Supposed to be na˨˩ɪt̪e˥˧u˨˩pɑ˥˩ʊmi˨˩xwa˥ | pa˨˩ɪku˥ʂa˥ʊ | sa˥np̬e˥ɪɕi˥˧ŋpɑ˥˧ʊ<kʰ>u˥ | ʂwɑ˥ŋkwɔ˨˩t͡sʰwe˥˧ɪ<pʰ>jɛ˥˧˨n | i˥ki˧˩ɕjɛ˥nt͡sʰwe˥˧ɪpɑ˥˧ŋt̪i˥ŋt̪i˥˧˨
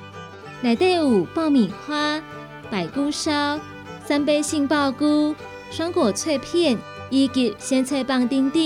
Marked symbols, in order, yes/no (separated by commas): no, yes